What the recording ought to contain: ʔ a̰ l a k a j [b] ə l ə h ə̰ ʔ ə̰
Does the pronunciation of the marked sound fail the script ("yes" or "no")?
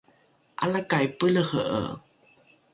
yes